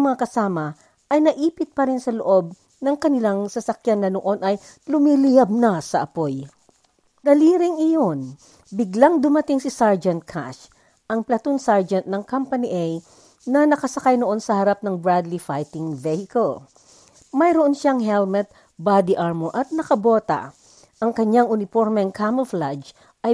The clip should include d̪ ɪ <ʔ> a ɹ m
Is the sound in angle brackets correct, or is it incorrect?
correct